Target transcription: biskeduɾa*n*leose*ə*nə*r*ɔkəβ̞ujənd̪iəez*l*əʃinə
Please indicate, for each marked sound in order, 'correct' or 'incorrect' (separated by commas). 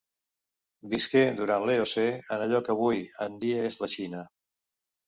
correct, correct, incorrect, correct